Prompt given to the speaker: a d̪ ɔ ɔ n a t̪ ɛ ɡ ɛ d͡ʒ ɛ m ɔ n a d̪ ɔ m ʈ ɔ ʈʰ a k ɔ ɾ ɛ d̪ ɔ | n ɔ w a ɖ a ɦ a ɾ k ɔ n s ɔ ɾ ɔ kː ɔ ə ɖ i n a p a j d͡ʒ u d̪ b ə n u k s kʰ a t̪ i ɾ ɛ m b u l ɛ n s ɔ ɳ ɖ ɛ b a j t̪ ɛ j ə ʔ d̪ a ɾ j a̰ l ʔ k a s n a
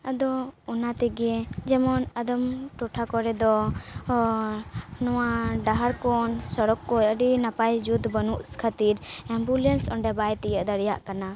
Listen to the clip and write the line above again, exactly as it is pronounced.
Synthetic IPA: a d̪ ɔ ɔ n a t̪ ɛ ɡ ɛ d͡ʒ ɛ m ɔ n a d̪ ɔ m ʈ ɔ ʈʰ a k ɔ ɾ ɛ d̪ ɔ | n ɔ w a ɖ a ɦ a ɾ k ɔ n s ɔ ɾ ɔ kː ɔ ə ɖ i n a p a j d͡ʒ u d̪ b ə n u ʔ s kʰ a t̪ i ɾ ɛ m b u l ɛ n s ɔ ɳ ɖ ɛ b a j t̪ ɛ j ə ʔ d̪ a ɾ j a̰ ʔ k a n a